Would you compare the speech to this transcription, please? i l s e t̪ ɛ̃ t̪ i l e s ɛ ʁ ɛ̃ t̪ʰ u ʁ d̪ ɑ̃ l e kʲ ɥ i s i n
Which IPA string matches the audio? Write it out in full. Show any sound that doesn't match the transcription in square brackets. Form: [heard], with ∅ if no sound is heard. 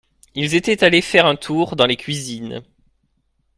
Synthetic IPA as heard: i l [z] e t̪ [ɛ] t̪ [a] l e [f] ɛ ʁ ɛ̃ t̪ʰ u ʁ d̪ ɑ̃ l e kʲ ɥ i [z] i n